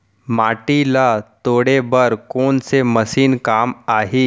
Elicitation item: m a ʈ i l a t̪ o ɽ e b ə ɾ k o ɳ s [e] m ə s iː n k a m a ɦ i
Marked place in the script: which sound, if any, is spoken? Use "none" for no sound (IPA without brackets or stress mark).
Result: e